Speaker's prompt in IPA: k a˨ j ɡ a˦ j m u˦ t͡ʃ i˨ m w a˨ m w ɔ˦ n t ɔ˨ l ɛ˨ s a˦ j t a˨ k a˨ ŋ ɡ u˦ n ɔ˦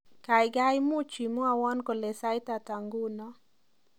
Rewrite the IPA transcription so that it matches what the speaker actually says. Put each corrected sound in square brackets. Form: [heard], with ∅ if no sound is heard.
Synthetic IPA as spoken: k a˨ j ɡ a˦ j m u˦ t͡ʃ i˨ m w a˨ [∅] w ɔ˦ n [k] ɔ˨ l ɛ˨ s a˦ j t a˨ [t] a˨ ŋ ɡ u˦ n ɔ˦